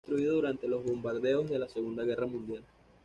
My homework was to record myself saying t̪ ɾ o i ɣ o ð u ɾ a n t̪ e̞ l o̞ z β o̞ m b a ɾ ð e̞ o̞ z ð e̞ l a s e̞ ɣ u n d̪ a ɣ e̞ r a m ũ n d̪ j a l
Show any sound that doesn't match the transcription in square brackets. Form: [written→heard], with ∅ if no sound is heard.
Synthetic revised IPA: t̪ ɾ [o→u] i [ɣ→ð] o ð u ɾ a n t̪ e̞ l o̞ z β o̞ m b a ɾ ð e̞ o̞ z ð e̞ l a s e̞ ɣ u n d̪ a ɣ e̞ r a m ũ n d̪ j a l